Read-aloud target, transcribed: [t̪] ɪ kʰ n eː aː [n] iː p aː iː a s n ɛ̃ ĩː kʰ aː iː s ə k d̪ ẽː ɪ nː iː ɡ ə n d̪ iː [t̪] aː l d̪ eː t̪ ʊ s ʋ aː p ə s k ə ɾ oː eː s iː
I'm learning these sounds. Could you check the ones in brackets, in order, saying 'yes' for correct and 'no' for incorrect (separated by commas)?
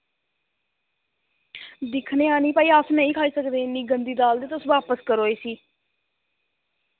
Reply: no, yes, no